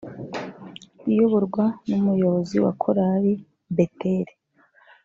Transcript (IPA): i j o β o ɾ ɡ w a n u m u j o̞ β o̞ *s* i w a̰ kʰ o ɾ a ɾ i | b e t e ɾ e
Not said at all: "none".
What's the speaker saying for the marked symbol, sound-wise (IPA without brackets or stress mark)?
z